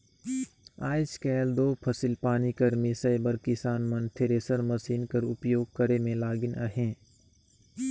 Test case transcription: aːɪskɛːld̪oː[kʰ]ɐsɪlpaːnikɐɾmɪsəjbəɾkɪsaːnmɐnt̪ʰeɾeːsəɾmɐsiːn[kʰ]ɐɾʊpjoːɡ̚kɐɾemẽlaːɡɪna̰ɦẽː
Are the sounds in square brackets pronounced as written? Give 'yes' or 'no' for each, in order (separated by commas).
no, no